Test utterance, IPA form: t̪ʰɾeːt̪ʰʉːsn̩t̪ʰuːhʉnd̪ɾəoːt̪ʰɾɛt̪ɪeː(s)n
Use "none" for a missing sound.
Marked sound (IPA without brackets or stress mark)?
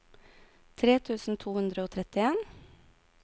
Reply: none